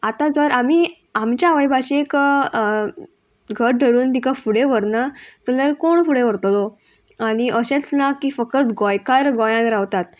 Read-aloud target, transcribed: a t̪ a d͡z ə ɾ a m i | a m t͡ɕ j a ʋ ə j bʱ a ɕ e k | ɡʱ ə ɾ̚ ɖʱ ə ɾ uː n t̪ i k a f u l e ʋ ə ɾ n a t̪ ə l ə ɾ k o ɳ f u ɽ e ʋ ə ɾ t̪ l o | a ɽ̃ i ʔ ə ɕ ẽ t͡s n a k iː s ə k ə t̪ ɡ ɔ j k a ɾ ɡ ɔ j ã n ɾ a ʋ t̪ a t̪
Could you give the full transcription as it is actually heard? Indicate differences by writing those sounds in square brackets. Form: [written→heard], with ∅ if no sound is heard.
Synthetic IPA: a t̪ a d͡z ə ɾ a m i | a m t͡ɕ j a ʋ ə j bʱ a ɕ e k | ɡʱ ə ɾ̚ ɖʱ ə ɾ uː n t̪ i k a f u [l→ɽ] e ʋ ə ɾ n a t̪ ə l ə ɾ k o ɳ f u ɽ e ʋ ə ɾ t̪ l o | a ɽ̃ i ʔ ə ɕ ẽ t͡s n a k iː [s→f] ə k ə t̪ ɡ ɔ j k a ɾ ɡ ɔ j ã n ɾ a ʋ t̪ a t̪